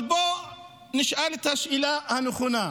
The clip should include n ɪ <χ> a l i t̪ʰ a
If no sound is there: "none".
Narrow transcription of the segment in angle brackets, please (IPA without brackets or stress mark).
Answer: ʃ